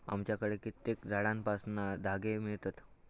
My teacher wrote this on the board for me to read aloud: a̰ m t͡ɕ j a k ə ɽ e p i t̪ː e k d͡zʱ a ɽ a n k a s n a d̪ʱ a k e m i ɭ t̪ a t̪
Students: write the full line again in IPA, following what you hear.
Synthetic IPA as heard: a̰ m t͡ɕ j a k ə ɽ e k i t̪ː e k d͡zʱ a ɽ a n p a s n a d̪ʱ a ɡ e m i ɭ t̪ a t̪